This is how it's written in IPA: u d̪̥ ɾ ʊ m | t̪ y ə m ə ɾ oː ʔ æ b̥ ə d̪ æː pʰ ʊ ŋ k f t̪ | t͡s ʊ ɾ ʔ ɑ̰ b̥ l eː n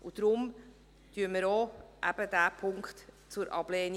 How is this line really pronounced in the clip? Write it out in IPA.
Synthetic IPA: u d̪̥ ɾ ʊ m | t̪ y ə m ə ɾ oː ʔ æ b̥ ə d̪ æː pʰ ʊ ŋ k χ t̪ | t͡s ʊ ɾ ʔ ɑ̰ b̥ l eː n